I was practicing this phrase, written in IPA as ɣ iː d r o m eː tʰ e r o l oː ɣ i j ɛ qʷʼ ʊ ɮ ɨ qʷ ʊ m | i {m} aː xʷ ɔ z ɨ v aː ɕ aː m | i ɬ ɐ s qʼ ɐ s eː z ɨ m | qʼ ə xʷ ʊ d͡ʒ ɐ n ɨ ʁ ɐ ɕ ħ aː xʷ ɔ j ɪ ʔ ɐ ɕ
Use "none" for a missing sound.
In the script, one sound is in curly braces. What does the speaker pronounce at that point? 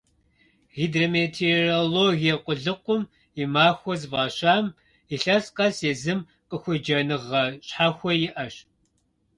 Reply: m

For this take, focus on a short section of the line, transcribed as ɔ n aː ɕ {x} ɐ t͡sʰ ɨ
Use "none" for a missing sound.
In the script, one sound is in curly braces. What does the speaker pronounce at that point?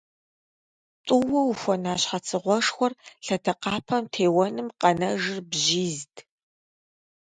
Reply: ħ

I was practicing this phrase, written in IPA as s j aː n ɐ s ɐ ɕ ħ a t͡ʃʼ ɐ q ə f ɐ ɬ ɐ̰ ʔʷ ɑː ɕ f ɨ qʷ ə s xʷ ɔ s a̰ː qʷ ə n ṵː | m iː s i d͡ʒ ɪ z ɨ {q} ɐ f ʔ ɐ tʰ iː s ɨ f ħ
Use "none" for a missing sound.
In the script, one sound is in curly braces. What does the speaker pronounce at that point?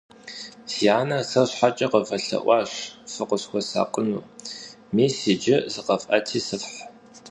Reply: q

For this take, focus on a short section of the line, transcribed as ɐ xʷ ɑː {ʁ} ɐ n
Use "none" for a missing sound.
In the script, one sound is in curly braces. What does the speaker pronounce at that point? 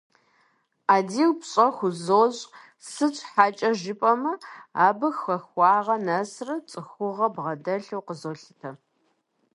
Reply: ʁ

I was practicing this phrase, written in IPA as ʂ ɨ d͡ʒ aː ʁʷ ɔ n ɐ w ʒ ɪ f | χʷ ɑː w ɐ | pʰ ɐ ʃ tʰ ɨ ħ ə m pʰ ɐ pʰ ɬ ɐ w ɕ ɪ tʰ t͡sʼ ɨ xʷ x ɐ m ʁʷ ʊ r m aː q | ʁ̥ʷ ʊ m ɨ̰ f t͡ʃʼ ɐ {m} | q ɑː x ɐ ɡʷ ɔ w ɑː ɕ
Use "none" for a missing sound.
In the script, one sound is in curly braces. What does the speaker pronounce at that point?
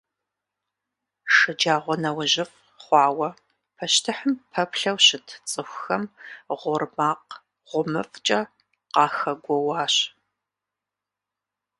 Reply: none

